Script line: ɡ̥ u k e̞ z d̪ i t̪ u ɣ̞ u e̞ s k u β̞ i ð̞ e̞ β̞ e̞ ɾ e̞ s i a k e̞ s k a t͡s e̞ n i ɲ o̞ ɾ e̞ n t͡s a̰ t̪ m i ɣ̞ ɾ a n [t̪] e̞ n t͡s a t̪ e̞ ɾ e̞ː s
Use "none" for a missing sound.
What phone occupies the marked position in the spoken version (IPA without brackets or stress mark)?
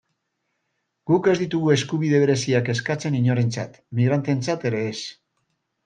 t̪